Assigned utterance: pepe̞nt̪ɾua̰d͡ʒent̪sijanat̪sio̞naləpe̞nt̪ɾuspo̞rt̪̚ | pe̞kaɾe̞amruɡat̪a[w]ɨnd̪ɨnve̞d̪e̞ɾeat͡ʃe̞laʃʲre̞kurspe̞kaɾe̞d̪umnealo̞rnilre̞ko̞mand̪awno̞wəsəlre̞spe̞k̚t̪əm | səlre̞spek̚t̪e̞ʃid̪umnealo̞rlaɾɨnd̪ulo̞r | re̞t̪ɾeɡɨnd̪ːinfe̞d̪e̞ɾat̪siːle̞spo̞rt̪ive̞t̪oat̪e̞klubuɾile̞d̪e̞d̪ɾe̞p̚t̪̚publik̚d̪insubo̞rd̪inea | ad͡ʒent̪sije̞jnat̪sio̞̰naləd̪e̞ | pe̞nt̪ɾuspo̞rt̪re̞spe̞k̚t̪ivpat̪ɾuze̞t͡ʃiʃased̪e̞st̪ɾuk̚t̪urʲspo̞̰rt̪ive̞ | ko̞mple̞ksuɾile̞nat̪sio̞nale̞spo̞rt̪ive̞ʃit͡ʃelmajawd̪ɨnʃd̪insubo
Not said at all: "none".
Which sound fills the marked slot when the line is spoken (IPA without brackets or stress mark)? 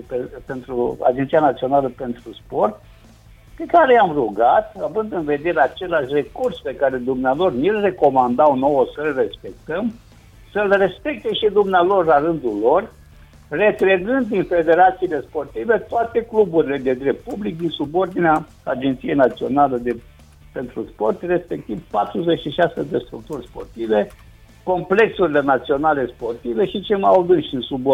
v